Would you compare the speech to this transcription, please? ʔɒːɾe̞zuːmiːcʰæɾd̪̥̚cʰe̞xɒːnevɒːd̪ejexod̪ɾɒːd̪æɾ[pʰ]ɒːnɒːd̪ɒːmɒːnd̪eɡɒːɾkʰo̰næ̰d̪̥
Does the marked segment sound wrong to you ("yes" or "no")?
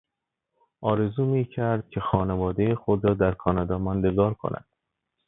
yes